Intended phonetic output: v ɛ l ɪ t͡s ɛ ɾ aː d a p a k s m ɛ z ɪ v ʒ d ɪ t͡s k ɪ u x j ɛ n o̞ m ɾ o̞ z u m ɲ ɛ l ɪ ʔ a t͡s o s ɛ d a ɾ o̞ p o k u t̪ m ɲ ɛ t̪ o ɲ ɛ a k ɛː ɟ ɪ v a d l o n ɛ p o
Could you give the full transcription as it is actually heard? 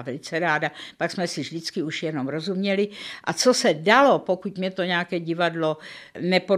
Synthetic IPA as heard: v ɛ l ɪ t͡s ɛ ɾ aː d a p a k s m ɛ s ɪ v ʒ d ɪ t͡s k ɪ u ʃ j ɛ n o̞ m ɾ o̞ z u m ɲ ɛ l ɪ ʔ a t͡s o s ɛ d a l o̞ p o k u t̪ m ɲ ɛ t̪ o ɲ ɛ a k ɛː ɟ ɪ v a d l o n ɛ p o